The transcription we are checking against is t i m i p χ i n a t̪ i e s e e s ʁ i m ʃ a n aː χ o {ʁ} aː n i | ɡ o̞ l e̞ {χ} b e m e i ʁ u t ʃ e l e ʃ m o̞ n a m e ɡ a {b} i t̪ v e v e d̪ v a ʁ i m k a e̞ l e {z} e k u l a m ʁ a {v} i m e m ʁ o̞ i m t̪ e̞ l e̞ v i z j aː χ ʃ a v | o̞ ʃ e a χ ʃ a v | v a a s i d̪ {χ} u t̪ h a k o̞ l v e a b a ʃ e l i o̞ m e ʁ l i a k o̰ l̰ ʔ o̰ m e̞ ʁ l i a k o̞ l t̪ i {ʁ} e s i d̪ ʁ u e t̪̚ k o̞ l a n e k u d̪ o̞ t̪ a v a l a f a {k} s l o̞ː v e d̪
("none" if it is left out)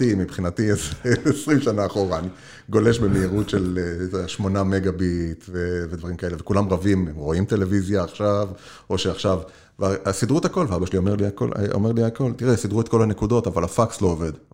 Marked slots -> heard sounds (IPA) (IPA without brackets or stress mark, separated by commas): ʁ, ʃ, b, v, v, ʁ, ʁ, k